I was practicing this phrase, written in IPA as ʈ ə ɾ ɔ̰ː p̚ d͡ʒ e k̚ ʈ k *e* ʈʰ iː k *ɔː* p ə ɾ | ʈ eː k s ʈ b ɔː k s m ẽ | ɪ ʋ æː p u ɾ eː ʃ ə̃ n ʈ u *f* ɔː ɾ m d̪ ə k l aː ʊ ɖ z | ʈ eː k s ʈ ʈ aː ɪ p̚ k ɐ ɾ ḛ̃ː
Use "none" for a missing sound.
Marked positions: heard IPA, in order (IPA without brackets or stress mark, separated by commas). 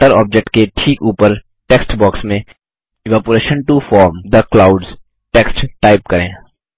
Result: e, uː, f